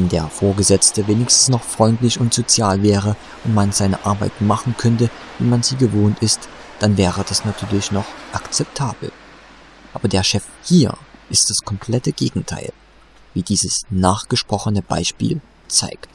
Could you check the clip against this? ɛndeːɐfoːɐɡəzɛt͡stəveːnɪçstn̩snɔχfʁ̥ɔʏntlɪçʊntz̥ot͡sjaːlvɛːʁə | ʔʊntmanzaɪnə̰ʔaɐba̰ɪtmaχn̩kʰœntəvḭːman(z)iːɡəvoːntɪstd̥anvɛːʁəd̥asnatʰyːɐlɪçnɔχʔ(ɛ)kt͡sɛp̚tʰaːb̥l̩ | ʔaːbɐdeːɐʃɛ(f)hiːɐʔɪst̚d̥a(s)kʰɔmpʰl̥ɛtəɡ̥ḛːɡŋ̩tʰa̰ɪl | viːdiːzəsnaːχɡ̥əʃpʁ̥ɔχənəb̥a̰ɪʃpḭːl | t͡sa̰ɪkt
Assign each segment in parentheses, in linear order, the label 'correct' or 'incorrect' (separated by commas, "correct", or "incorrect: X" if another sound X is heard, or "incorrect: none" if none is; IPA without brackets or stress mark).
correct, incorrect: a, correct, correct